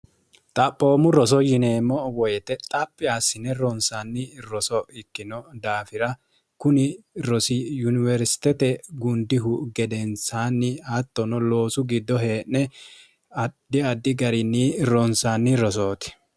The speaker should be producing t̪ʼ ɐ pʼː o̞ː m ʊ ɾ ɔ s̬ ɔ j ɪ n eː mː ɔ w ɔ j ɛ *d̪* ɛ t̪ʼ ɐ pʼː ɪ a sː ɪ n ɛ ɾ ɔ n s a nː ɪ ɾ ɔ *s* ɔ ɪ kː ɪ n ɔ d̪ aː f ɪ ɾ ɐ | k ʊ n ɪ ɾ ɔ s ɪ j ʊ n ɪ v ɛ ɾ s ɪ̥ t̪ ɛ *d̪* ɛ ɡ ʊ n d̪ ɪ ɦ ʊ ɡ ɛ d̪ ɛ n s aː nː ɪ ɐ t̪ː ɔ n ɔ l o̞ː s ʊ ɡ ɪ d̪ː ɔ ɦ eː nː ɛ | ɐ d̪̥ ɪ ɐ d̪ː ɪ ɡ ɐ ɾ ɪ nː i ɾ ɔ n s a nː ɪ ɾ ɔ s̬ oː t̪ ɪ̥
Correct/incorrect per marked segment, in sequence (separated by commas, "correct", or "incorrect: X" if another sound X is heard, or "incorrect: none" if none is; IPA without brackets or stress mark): incorrect: t̪, correct, incorrect: t̪